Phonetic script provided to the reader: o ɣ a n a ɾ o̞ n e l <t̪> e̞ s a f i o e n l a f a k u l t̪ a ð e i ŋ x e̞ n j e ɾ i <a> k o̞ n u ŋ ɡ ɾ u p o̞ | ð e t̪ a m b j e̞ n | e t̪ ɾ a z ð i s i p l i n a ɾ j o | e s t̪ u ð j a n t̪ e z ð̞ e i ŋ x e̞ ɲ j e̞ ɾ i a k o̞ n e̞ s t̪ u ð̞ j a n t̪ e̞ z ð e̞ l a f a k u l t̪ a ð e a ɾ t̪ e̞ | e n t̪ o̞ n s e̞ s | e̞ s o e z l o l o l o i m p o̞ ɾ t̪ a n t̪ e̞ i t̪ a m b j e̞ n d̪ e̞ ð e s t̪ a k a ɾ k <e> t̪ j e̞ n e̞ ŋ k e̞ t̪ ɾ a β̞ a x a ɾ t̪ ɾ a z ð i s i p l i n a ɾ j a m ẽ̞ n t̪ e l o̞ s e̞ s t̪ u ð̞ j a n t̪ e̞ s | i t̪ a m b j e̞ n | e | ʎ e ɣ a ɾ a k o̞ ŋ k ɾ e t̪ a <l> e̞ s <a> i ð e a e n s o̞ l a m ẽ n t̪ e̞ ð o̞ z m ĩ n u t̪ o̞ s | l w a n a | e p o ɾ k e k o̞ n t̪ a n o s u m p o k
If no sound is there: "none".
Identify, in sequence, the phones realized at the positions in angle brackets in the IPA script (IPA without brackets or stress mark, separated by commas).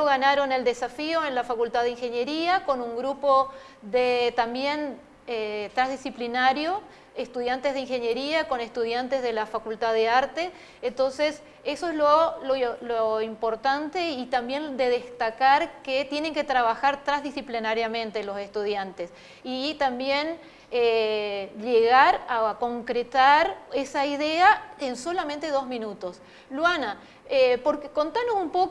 d̪, a, e, ɾ, a